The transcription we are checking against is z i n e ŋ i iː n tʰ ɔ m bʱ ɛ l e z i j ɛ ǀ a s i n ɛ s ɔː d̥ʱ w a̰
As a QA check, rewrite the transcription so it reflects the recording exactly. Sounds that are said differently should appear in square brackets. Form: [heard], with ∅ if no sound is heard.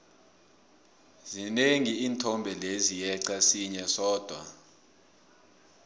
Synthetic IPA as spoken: z i n e ŋ i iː n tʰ ɔ m bʱ ɛ l e z i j ɛ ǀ a s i [ɲ] ɛ s ɔː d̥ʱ w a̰